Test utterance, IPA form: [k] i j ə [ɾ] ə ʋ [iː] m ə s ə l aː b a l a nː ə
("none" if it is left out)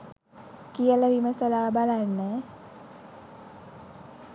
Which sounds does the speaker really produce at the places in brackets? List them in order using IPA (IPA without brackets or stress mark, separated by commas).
k, l, i